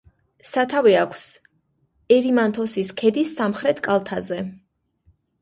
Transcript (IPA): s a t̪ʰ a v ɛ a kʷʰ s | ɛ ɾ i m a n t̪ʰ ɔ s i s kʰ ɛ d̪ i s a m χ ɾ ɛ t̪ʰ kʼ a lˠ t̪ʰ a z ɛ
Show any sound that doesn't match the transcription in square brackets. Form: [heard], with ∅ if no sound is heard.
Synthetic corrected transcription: s a t̪ʰ a v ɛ a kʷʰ s | ɛ ɾ i m a n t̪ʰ ɔ s i s kʰ ɛ d̪ i s a m χ ɾ ɛ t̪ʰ kʼ a lˠ t̪ʰ a z ɛ